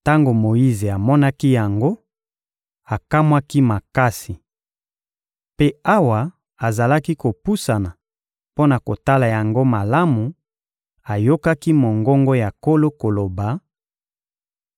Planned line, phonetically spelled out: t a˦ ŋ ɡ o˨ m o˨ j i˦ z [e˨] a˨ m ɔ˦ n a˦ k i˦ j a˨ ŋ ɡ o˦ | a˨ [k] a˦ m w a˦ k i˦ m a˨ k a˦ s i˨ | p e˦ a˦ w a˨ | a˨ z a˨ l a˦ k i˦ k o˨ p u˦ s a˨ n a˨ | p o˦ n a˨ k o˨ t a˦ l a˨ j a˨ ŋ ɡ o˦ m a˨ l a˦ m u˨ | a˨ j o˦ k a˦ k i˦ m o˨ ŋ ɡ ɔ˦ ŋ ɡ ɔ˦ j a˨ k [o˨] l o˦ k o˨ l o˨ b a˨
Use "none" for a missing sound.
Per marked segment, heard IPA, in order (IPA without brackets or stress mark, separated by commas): e˨, k, o˦